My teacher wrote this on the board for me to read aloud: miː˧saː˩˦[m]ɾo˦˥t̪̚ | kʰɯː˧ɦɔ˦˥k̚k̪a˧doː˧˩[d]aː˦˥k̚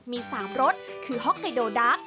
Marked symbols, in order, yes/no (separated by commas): yes, yes